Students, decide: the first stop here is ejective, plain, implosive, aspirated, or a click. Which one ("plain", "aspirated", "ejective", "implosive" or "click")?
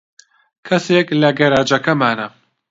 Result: aspirated